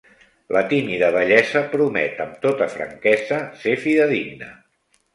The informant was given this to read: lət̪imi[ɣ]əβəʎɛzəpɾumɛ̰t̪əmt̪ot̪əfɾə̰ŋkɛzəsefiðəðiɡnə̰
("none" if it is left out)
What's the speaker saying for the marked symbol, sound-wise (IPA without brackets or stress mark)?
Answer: ð